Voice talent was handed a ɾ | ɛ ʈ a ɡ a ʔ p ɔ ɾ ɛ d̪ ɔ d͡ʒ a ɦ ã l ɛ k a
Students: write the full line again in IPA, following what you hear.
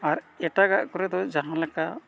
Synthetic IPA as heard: a ɾ | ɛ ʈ a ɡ a ʔ k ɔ ɾ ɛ d̪ ɔ d͡ʒ a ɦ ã l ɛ k a